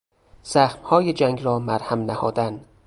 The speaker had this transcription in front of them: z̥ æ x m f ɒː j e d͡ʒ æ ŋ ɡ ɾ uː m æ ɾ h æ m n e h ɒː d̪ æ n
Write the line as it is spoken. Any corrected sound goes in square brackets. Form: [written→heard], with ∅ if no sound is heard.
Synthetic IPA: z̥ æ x m [f→h] ɒː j e d͡ʒ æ ŋ ɡ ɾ [uː→ɒː] m æ ɾ h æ m n [e→æ] h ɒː d̪ æ n